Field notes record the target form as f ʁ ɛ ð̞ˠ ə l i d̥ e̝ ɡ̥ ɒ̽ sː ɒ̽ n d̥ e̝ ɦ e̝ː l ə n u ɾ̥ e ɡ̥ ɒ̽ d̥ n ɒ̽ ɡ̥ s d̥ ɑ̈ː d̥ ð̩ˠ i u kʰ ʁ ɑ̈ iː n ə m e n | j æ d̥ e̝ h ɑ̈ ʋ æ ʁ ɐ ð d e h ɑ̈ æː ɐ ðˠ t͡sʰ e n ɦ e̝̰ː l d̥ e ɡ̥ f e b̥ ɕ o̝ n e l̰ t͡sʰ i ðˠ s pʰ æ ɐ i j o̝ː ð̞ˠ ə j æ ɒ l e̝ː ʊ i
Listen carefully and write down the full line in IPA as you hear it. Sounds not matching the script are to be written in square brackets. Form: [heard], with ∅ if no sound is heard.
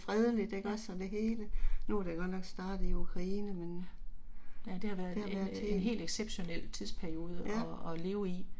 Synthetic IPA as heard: f ʁ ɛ ð̞ˠ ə l i d̥ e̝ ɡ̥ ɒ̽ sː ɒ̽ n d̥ e̝ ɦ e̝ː l ə n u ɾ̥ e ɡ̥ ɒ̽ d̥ n ɒ̽ ɡ̥ s d̥ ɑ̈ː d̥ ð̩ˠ i u kʰ ʁ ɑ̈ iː n ə m e n | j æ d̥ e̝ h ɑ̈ ʋ æ [∅] ɐ ð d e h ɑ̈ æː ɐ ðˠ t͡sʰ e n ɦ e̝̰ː l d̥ e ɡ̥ [s] e b̥ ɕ o̝ n e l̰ t͡sʰ i ðˠ s pʰ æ ɐ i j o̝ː ð̞ˠ ə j æ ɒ l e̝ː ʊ i